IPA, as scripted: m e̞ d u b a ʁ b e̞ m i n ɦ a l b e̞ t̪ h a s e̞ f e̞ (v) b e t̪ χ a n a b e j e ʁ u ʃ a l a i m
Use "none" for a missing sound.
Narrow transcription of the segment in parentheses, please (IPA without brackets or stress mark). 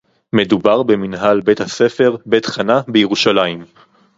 ʁ